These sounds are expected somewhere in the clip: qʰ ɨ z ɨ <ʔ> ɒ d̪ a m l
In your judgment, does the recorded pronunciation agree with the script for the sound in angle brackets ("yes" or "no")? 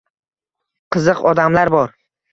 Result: no